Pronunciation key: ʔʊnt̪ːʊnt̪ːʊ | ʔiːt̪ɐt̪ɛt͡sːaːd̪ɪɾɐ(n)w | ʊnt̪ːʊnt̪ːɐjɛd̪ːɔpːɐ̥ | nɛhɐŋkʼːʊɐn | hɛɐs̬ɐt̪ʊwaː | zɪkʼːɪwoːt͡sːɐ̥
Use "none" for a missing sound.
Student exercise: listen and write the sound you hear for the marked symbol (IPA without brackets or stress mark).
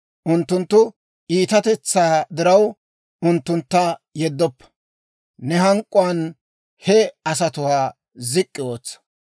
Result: none